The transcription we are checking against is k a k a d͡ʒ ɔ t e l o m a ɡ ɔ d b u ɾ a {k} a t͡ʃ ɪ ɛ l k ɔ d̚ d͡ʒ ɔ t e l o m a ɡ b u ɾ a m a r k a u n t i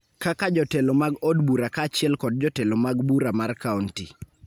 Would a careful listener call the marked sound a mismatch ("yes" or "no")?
no